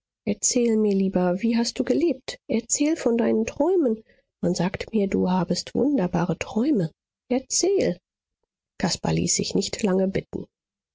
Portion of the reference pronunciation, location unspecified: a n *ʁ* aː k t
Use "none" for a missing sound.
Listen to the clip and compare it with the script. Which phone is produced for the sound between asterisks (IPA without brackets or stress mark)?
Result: z